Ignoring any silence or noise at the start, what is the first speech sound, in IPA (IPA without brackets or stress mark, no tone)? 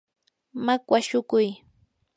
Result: m